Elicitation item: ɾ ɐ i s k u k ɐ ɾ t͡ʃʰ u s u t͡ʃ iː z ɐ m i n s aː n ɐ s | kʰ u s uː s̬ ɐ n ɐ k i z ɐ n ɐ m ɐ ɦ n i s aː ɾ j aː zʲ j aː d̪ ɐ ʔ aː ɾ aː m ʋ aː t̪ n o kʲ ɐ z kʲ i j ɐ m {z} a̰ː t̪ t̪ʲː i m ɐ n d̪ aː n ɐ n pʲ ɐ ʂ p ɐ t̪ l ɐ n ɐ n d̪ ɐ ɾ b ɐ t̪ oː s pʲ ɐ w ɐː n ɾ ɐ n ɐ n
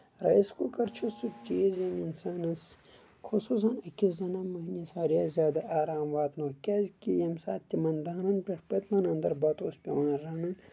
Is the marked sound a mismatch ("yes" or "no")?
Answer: yes